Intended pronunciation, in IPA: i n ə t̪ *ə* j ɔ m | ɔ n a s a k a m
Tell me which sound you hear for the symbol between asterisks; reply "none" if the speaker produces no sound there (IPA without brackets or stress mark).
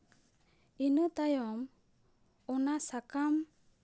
a